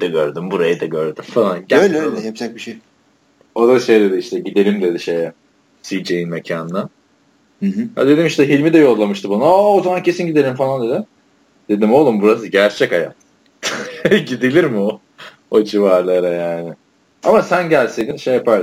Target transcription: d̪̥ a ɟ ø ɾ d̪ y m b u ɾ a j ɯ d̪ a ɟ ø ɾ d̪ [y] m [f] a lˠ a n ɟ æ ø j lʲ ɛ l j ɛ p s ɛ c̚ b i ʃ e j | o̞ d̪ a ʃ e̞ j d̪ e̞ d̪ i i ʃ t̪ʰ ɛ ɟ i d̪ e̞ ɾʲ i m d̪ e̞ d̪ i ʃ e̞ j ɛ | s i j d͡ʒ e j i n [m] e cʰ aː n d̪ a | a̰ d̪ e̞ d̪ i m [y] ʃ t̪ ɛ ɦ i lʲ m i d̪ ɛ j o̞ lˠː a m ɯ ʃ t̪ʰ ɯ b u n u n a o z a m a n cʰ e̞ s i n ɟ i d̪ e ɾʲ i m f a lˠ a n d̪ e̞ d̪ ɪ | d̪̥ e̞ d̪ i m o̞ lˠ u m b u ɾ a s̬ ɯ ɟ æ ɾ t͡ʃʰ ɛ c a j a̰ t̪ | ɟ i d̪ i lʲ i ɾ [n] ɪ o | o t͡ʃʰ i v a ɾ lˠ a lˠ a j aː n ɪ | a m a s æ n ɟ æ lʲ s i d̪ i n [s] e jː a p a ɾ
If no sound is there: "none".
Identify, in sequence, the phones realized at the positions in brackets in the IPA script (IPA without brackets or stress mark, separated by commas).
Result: y, f, m, i, m, ʃ